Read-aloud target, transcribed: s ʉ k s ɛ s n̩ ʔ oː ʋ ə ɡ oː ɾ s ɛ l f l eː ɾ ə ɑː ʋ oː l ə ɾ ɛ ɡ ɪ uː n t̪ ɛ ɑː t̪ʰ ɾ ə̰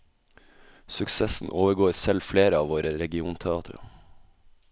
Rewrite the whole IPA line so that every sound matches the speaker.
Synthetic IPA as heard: s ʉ k s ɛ s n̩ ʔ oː ʋ ə ɡ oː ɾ s ɛ l f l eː ɾ ə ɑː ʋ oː ɾ ə ɾ ɛ ɡ ɪ uː n t̪ʰ ɛ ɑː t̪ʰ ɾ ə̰